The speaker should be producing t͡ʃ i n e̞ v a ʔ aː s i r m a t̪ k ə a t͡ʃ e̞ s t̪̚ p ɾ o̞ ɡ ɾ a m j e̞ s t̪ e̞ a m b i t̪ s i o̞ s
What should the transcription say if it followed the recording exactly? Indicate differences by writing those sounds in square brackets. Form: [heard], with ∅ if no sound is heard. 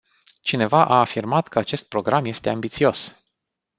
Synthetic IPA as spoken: t͡ʃ i n e̞ v a ʔ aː [f] i r m a t̪ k ə a t͡ʃ e̞ s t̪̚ p ɾ o̞ ɡ ɾ a m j e̞ s t̪ e̞ a m b i t̪ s i o̞ s